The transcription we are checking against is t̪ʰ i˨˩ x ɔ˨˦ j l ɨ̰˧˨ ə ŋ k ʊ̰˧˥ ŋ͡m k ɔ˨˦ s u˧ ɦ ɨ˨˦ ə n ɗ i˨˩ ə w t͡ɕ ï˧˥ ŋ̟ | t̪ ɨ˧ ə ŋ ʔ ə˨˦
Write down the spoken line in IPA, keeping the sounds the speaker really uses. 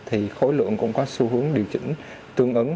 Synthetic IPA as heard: t̪ʰ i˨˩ x o˨˦ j l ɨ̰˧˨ ə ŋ k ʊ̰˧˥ ŋ͡m k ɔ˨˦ s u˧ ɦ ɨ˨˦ ə ŋ ɗ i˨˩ ə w t͡ɕ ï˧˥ ŋ̟ | t̪ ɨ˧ ə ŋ ʔ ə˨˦